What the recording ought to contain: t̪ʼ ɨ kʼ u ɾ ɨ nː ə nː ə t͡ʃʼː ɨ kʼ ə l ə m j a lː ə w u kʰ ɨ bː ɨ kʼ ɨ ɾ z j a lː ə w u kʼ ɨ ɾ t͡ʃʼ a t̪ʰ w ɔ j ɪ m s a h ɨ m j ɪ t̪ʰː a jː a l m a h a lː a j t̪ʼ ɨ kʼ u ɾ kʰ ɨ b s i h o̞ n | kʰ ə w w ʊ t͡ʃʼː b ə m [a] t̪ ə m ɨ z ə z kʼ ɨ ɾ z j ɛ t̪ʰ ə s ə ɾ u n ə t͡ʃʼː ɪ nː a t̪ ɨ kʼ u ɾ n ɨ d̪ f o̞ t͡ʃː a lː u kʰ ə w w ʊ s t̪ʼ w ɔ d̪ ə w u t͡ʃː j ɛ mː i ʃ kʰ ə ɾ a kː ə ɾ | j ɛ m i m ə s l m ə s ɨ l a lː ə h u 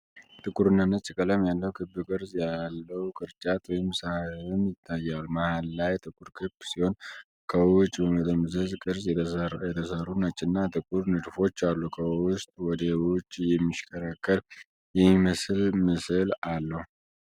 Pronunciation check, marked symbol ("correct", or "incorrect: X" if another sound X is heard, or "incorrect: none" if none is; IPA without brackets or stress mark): incorrect: ə